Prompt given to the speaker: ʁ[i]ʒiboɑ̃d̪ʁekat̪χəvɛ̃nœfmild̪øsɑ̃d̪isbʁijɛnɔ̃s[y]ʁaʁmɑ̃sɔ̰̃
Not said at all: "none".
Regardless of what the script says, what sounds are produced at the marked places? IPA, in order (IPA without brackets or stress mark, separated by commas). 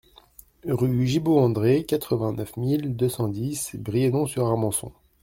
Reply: y, y